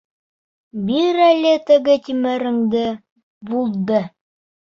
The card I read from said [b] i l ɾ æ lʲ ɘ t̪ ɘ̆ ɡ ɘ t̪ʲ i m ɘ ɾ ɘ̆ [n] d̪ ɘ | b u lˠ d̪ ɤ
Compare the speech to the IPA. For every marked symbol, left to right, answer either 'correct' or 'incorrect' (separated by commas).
correct, incorrect